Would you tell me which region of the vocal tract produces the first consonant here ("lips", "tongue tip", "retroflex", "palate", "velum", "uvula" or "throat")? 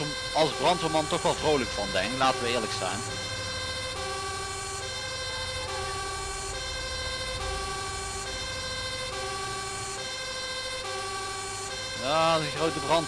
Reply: tongue tip